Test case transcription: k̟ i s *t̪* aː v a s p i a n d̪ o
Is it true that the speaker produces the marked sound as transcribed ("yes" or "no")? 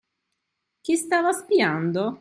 yes